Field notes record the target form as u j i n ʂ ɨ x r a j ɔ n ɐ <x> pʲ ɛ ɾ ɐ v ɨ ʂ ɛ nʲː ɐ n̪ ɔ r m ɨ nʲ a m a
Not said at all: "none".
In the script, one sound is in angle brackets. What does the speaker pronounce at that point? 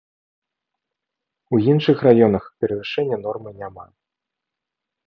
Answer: x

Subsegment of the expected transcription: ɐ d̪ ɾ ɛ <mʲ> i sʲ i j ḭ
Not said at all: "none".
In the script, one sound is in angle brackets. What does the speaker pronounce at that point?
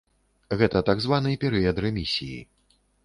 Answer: mʲ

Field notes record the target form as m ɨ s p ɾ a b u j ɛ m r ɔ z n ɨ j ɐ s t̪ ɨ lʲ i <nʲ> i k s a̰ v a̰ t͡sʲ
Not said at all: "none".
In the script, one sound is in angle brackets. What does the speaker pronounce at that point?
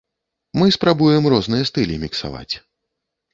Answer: mʲ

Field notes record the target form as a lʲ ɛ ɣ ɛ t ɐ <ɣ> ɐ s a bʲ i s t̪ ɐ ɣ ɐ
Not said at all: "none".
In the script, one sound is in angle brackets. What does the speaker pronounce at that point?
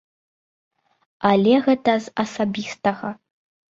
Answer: z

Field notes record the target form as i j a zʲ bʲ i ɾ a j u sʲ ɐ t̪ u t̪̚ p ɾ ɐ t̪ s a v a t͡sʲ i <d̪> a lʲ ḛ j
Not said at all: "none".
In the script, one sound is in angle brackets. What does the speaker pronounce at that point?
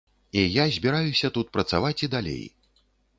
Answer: d̪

